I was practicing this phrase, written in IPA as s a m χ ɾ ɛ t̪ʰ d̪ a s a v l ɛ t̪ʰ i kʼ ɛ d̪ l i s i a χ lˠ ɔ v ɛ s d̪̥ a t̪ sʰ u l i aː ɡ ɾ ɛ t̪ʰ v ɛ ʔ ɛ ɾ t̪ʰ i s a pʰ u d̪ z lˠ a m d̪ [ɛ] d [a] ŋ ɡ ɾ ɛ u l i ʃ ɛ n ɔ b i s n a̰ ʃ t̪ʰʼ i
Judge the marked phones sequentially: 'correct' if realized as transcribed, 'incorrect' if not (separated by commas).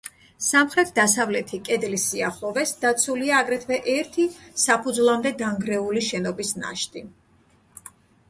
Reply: correct, correct